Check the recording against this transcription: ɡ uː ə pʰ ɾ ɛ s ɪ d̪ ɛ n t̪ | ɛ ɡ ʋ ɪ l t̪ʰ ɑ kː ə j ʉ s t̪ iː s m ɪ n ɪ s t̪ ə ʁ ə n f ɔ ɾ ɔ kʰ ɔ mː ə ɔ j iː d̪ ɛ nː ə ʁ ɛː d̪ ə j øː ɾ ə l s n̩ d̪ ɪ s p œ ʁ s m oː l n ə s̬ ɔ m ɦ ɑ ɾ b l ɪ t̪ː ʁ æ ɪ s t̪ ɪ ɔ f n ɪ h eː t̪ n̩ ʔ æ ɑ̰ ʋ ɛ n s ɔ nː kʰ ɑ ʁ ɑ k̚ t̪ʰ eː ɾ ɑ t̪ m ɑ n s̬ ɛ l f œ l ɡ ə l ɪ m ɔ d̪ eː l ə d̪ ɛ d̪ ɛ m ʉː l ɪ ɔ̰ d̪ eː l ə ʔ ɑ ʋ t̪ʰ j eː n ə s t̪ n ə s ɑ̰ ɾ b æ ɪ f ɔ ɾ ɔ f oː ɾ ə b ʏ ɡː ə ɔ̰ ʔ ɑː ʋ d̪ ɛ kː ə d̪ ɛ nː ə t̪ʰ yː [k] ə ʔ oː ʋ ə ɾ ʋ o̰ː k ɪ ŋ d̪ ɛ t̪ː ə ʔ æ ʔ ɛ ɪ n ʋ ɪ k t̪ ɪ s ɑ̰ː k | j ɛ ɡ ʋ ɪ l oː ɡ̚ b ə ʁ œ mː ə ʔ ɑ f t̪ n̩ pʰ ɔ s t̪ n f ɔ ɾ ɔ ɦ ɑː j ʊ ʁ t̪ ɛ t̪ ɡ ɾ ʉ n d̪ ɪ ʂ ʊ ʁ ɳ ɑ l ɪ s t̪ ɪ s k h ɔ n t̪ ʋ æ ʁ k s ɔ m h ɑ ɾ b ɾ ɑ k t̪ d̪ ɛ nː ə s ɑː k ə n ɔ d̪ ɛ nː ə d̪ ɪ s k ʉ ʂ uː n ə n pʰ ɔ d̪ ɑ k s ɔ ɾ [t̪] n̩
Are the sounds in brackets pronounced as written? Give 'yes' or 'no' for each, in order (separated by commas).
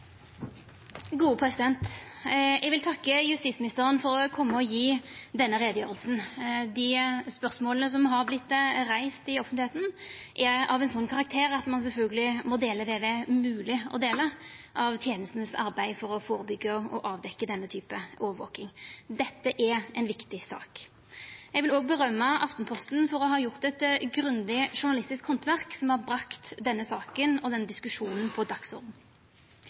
no, no